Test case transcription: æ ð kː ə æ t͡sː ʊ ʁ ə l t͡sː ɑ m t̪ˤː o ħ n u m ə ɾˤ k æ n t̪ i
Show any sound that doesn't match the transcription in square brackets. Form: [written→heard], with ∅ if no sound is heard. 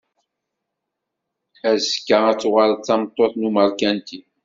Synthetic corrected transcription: æ [ð→z] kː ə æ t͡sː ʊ ʁ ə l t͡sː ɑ m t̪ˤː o [ħ→θ] n u m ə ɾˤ k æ n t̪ i